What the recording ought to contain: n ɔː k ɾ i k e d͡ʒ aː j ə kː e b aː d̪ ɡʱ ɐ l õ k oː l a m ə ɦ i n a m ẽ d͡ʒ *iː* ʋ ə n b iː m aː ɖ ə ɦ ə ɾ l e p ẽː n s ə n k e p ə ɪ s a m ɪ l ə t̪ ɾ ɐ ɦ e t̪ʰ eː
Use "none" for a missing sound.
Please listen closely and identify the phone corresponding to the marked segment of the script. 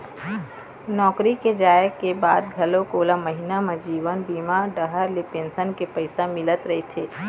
iː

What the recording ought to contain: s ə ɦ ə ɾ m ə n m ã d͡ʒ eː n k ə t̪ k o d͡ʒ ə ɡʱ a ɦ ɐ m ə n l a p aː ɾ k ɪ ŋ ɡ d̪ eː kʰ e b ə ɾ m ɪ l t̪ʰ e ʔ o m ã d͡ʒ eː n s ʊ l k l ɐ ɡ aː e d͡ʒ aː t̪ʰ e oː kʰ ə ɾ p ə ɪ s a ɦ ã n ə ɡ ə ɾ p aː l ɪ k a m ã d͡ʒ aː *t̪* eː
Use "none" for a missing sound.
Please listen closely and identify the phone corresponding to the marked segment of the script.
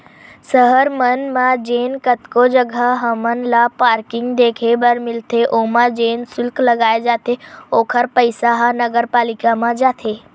t̪ʰ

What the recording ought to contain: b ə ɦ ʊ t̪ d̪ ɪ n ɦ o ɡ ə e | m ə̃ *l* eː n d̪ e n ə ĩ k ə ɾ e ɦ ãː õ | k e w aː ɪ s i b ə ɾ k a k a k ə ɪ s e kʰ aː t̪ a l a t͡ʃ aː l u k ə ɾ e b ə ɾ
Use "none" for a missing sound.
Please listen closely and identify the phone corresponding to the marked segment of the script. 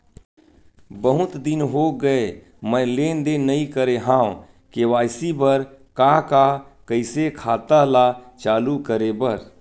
l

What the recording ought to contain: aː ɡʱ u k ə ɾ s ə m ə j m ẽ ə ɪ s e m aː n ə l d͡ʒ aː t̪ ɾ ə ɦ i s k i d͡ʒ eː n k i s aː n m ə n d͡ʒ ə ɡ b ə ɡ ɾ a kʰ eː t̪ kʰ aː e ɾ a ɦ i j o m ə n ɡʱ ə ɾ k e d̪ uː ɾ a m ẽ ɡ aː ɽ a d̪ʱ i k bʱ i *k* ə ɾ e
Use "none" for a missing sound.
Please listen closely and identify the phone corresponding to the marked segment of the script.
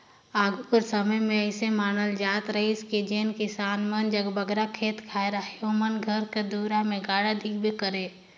k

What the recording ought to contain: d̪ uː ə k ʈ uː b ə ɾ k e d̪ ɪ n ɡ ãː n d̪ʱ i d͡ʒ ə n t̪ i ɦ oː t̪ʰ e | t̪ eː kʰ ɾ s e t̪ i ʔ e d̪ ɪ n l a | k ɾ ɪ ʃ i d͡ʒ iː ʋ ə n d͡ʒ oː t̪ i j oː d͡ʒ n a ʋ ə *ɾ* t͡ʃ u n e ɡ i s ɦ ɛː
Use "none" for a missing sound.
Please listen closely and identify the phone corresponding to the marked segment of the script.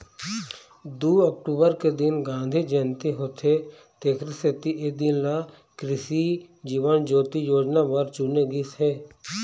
ɾ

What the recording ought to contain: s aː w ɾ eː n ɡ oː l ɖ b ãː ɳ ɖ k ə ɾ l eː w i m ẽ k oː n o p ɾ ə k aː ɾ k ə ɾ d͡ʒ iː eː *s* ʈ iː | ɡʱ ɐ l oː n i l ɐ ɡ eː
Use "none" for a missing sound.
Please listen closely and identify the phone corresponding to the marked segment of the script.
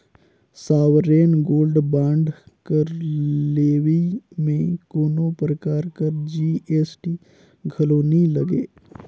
s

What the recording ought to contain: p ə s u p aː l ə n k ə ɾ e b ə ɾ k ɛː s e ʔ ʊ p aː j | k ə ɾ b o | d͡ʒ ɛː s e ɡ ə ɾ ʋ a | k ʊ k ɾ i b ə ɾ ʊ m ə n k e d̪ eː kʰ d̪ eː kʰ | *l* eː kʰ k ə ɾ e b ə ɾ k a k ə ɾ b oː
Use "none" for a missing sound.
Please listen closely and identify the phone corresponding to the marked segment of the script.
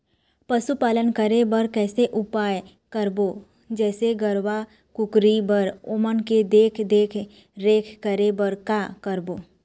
ɾ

